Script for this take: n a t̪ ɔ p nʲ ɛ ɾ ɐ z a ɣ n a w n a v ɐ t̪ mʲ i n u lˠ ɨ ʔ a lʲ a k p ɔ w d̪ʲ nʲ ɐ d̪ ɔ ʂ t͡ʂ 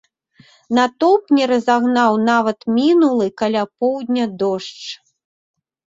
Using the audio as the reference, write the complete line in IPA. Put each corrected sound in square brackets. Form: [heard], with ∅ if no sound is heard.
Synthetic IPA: n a t̪ ɔ p nʲ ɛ ɾ ɐ z a ɣ n a w n a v ɐ t̪ mʲ i n u lˠ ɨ [k] a lʲ a [∅] p ɔ w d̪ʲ nʲ ɐ d̪ ɔ ʂ t͡ʂ